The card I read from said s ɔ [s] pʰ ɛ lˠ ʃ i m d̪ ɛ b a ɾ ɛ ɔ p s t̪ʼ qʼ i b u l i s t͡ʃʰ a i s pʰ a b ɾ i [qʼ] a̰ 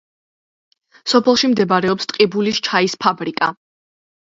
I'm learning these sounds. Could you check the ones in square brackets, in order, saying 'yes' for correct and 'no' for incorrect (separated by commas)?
no, no